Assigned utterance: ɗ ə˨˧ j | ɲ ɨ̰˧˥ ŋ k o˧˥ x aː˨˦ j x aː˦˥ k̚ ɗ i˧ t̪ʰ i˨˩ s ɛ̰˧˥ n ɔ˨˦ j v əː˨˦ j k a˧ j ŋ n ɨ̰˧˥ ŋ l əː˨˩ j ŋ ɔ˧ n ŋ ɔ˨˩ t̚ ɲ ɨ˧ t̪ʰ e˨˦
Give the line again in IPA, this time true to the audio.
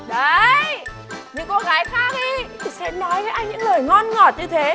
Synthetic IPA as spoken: ɗ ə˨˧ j | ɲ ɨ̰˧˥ ŋ k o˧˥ ɣ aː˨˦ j x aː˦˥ k̚ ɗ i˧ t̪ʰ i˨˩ s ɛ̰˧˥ n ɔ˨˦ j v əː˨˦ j ʔ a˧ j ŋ ɲ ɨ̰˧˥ ŋ l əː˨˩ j ŋ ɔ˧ n ŋ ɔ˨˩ t̚ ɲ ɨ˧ t̪ʰ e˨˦